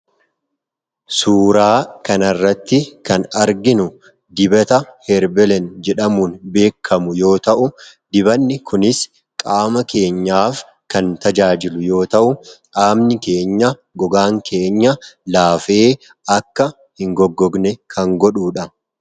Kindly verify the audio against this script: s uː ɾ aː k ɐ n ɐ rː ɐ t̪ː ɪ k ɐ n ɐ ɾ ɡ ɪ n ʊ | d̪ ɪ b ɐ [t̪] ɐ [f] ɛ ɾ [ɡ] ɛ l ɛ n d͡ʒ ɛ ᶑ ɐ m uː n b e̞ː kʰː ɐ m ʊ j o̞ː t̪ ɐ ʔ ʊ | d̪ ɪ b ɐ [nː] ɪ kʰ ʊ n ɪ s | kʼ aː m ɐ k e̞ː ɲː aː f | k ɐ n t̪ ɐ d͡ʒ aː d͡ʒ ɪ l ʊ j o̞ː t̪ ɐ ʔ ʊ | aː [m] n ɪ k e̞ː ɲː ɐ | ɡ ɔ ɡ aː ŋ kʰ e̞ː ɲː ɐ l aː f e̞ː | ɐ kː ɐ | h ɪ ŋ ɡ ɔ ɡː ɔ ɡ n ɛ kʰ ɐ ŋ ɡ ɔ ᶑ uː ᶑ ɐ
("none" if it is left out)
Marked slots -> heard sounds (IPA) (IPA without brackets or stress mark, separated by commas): t̪, h, b, nː, m